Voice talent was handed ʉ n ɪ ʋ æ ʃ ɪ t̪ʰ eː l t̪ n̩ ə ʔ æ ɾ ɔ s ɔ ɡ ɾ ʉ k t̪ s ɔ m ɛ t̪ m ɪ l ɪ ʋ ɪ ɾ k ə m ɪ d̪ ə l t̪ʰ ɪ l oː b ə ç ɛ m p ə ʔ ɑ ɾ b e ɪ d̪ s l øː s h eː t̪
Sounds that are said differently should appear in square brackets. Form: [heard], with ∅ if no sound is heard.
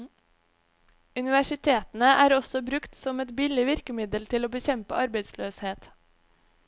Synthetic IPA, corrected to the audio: ʉ n ɪ ʋ æ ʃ ɪ t̪ʰ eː [∅] t̪ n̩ ə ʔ [æː] ɾ ɔ s ɔ [b] ɾ ʉ k t̪ s ɔ m ɛ t̪ [b] ɪ l ɪ ʋ ɪ ɾ k ə m ɪ d̪ ə l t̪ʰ ɪ l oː b ə ç ɛ m p ə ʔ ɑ ɾ b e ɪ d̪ s l øː s h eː t̪

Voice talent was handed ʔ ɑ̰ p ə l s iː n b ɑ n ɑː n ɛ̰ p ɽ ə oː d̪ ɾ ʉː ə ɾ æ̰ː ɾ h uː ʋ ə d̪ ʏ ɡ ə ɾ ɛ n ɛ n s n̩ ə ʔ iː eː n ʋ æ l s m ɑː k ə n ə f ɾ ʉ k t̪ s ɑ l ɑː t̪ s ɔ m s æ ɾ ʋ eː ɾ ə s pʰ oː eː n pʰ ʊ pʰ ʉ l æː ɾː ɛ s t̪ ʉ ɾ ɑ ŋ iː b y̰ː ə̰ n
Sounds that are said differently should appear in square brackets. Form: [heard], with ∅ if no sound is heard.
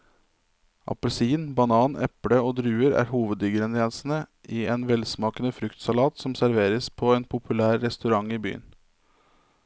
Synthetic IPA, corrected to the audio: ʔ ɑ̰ p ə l s iː n b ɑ n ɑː n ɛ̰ p ɽ ə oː d̪ ɾ ʉː ə ɾ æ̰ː ɾ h uː ʋ ə d̪ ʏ ɡ ə ɾ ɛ n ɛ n s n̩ ə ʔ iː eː n ʋ [ɛ] l s m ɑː k ə n ə f ɾ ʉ k t̪ s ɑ l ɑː t̪ s ɔ m s æ ɾ ʋ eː ɾ ə s pʰ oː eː n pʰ ʊ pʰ ʉ l æː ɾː ɛ s t̪ ʉ ɾ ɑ ŋ iː b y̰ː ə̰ n

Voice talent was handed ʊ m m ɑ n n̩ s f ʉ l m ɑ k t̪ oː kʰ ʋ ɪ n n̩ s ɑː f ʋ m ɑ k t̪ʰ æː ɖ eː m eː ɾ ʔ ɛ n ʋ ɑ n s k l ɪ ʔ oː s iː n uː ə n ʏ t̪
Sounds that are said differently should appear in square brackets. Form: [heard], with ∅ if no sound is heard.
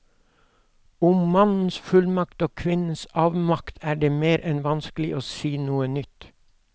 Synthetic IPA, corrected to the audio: ʊ m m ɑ n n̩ s f ʉ l m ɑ k t̪ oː kʰ ʋ ɪ n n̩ s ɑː [∅] ʋ m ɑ k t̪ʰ æː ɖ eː m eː ɾ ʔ ɛ n ʋ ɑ n s k l ɪ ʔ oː s iː n uː ə n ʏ t̪

